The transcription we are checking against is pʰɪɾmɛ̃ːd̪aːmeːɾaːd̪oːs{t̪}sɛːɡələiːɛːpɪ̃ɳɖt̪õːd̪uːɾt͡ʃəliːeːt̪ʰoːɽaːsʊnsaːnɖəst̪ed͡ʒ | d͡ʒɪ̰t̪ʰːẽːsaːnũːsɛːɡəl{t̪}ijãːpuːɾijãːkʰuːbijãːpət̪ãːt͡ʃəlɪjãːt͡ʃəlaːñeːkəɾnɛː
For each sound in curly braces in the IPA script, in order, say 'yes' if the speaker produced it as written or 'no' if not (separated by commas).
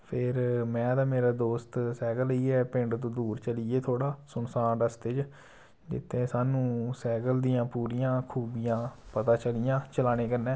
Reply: yes, no